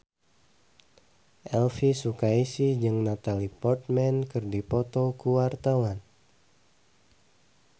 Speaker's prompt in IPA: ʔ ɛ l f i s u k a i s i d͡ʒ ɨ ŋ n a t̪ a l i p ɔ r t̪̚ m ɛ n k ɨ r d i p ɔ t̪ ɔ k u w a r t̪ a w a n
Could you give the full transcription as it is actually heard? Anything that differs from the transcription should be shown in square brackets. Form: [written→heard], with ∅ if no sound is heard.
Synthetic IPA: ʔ ɛ l f i s u k a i s i d͡ʒ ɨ ŋ n a t̪ a l i p ɔ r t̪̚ m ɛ n k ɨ r d i p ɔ t̪ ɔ k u w a r t̪ a w a n